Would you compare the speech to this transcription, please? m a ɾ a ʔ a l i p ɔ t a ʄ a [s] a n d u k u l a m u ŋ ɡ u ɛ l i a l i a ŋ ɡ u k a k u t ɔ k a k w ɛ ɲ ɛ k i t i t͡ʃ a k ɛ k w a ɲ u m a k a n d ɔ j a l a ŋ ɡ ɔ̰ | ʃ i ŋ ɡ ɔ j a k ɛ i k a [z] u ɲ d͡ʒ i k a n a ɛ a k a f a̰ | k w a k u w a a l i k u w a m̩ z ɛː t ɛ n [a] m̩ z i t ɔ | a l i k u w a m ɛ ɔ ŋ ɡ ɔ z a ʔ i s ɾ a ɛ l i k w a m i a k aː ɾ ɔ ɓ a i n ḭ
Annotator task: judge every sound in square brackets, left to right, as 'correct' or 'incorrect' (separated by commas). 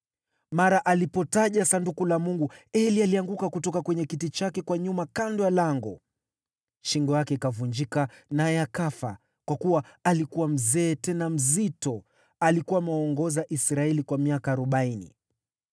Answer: correct, incorrect, correct